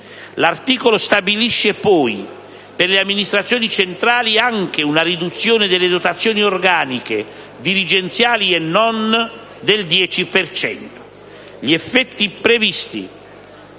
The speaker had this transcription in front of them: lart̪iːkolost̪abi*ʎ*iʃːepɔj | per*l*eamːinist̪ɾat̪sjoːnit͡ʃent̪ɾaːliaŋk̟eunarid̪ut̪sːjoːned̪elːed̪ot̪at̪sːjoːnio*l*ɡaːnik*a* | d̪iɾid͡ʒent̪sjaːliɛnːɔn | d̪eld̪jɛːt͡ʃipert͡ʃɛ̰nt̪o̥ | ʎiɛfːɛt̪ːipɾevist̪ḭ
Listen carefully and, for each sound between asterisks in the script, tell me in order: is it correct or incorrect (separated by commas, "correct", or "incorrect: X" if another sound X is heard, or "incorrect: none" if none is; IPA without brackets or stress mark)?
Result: incorrect: l, correct, incorrect: r, incorrect: e